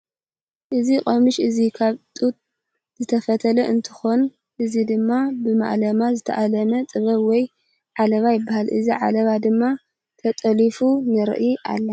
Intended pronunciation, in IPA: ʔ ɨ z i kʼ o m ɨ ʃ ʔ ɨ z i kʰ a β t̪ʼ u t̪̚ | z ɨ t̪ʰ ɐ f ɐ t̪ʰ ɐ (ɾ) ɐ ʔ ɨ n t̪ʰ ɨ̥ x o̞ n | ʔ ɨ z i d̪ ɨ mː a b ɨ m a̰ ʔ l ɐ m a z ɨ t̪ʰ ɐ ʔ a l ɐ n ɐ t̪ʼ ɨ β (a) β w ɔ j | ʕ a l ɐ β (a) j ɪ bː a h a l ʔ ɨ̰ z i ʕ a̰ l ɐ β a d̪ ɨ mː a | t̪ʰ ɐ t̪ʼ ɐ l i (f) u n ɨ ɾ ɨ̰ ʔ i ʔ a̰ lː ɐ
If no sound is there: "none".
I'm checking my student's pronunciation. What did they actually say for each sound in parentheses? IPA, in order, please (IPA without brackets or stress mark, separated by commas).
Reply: l, ɐ, a, f